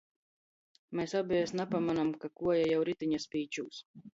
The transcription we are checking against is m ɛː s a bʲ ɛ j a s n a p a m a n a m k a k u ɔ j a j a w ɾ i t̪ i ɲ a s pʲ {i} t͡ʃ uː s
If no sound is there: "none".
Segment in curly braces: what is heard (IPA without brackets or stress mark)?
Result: iː